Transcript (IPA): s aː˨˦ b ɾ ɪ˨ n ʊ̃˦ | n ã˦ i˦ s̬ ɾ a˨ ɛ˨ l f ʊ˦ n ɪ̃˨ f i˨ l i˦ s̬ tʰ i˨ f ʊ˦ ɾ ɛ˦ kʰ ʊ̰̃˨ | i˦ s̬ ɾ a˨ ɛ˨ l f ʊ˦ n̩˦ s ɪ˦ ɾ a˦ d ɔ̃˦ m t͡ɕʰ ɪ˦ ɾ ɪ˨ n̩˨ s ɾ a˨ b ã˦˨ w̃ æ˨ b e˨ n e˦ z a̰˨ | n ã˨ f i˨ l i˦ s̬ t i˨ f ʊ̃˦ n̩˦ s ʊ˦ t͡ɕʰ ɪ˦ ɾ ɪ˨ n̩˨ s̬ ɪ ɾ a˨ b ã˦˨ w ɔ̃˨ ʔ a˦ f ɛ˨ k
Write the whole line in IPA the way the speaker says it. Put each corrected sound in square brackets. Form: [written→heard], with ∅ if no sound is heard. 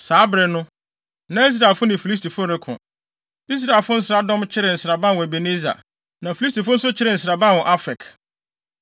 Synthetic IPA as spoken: s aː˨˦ b ɾ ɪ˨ n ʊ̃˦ | n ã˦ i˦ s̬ ɾ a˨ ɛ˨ l f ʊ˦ n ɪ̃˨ f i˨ l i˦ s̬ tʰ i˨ f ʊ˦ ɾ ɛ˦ kʰ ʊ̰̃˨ | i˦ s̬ ɾ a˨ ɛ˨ l f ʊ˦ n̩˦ s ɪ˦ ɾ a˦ d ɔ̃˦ m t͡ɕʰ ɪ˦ ɾ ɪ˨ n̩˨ s ɾ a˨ b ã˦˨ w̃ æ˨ b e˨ n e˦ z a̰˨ | n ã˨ f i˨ l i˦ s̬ t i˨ f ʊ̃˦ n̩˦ s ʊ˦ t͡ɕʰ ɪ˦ ɾ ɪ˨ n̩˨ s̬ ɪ ɾ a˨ b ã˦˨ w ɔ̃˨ ʔ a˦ f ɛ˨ k

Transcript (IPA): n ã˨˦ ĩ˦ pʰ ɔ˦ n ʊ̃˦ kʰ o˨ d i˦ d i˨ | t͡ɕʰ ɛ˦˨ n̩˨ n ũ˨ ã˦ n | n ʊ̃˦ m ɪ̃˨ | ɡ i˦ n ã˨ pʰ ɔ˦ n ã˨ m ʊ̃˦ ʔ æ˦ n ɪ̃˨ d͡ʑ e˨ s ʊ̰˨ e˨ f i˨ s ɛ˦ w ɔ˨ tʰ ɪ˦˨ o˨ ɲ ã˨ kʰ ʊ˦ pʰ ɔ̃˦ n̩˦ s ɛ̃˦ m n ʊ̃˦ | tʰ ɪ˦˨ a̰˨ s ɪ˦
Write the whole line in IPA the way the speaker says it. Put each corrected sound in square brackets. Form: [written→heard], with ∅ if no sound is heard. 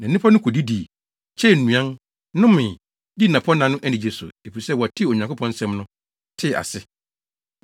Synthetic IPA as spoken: n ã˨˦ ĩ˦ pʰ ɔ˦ n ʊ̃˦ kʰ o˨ d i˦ d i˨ | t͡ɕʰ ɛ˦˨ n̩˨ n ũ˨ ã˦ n | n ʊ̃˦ m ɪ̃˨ | [ɡ→d] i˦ n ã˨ pʰ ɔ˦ n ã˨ [m→n] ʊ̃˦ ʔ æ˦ n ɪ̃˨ d͡ʑ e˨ s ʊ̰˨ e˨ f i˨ s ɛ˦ w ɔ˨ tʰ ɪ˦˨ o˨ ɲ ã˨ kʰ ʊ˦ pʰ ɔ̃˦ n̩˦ s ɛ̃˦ m n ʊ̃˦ | tʰ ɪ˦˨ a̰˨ s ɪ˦

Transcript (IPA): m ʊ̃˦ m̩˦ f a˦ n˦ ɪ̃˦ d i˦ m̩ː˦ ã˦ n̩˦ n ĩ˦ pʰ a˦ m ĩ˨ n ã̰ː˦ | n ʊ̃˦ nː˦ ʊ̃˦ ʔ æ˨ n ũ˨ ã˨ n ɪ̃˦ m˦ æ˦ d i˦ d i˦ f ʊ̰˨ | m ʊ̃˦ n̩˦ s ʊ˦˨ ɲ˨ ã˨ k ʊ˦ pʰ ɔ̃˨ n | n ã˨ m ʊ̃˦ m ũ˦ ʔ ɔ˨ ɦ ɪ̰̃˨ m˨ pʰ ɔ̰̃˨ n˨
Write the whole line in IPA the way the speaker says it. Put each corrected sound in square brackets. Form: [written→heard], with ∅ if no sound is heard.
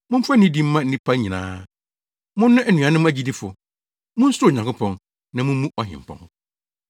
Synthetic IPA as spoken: m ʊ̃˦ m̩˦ f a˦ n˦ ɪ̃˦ d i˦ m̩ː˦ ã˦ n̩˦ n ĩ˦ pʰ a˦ [m→ɲ] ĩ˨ n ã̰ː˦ | [n→m] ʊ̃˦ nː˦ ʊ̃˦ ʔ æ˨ n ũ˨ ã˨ n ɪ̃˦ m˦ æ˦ [d→d͡ʑ] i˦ d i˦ f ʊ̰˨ | m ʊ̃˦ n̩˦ s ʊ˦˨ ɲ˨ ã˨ k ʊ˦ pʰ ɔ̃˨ n | n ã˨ m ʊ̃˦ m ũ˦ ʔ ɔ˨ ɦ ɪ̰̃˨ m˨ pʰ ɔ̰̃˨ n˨

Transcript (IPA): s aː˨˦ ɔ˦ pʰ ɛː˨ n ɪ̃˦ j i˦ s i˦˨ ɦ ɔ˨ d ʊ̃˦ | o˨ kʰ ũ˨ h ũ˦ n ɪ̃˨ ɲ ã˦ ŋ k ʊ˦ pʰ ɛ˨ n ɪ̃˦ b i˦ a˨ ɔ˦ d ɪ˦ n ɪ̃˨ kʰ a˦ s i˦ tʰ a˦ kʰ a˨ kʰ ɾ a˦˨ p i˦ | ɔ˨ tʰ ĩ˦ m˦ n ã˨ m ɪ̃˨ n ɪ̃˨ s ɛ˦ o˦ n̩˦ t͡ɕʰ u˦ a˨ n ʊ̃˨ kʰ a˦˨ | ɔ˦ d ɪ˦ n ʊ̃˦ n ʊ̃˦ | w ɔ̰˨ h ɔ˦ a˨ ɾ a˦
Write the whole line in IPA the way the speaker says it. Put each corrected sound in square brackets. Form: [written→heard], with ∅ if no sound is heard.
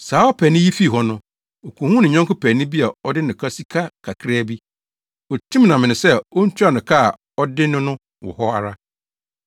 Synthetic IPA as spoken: s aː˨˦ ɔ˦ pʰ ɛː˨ n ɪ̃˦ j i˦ [s→f] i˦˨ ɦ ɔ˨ [d→n] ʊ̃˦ | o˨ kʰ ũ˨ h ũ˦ n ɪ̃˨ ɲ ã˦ ŋ k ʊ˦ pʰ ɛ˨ n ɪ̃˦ b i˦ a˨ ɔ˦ d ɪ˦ n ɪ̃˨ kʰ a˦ s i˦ [tʰ→kʰ] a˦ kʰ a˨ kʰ ɾ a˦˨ [p→b] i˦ | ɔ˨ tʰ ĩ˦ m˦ n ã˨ m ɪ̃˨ n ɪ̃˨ s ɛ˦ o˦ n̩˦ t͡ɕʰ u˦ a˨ n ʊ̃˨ kʰ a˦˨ | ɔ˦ d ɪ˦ n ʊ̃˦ n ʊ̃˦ | w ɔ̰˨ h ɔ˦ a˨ ɾ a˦

